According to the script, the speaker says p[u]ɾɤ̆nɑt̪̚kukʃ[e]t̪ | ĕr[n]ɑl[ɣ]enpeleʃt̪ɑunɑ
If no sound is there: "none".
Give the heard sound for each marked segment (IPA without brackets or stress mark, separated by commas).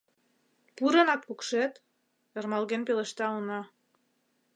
u, e, m, ɣ